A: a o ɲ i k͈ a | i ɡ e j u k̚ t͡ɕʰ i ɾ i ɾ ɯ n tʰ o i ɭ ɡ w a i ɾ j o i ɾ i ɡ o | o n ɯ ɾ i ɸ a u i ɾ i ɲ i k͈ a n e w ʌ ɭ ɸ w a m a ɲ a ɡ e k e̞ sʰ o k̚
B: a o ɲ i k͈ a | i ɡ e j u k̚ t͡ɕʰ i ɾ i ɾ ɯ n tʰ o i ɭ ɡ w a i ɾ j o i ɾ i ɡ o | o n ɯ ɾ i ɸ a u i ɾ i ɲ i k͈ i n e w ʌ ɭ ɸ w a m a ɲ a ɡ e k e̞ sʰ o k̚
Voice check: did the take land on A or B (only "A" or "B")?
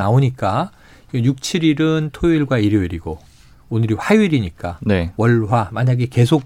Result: A